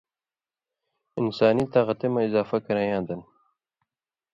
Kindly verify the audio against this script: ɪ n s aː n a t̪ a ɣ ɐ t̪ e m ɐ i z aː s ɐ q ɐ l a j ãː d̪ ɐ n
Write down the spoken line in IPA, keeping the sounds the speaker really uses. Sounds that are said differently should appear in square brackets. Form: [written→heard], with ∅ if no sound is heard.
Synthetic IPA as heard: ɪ n s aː n [a→i] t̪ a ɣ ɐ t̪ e m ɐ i z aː [s→f] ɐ [q→k] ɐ [l→ɾ] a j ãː d̪ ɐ n

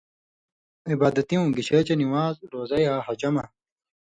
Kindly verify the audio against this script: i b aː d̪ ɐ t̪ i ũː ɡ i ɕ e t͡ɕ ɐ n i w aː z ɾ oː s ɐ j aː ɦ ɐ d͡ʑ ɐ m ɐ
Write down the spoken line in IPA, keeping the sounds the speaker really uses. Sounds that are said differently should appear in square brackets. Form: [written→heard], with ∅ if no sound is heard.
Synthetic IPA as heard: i b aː d̪ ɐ t̪ i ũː ɡ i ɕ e t͡ɕ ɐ n i w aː z ɾ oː [s→z] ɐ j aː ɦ ɐ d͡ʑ ɐ m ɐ

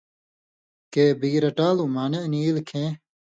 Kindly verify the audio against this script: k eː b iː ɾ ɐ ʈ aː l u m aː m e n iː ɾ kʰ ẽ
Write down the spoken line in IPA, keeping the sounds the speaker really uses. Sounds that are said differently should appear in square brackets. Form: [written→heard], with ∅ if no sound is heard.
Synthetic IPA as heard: k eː b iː ɾ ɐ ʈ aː l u m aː [m→n] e n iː [ɾ→l] kʰ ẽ

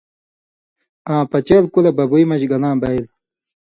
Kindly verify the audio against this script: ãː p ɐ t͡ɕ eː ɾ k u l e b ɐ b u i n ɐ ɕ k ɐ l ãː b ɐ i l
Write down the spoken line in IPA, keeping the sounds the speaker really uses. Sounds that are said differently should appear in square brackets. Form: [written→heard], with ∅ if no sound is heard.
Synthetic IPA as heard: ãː p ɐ t͡ɕ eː [ɾ→l] k u l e b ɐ b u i [n→m] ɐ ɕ [k→ɡ] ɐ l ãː b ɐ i l

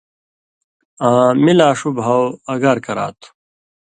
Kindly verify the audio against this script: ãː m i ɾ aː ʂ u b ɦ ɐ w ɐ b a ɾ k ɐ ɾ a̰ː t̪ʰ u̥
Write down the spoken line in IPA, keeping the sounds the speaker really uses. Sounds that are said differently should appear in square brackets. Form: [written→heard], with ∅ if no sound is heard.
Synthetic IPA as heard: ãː m i [ɾ→l] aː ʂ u b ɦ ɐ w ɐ [b→ɡ] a ɾ k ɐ ɾ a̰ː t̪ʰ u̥

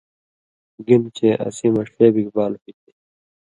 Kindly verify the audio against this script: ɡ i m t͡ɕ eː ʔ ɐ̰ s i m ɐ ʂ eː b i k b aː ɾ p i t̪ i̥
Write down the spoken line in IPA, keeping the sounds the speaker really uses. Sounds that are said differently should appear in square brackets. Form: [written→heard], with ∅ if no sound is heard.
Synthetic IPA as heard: ɡ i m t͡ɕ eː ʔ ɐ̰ s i m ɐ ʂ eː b i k b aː [ɾ→l] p i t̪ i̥

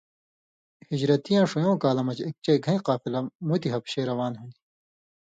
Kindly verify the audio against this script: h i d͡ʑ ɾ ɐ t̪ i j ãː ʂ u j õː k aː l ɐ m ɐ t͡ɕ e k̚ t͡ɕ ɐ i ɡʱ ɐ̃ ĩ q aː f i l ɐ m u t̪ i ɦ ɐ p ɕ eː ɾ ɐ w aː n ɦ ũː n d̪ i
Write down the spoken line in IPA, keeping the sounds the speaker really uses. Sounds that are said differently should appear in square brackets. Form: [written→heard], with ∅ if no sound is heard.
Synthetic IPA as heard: h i d͡ʑ ɾ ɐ t̪ i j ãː ʂ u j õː k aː l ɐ m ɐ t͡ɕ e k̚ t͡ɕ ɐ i ɡʱ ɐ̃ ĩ q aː f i l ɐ m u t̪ i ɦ ɐ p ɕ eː ɾ ɐ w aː n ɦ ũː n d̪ i

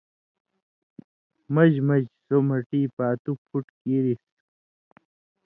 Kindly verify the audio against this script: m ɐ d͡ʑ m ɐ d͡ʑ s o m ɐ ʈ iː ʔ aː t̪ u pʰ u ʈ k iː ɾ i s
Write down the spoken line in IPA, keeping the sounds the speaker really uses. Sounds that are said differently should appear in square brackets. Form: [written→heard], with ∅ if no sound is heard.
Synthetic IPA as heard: m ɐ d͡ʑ m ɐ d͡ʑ s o m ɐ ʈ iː [ʔ→p] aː t̪ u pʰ u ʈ k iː ɾ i s

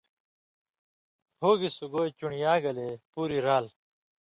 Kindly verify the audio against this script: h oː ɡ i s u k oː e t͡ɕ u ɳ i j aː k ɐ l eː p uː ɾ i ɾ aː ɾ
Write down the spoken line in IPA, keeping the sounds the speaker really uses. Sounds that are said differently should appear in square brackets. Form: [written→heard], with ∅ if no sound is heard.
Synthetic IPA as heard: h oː ɡ i s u [k→ɡ] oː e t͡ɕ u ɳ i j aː [k→ɡ] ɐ l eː p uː ɾ i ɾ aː [ɾ→l]

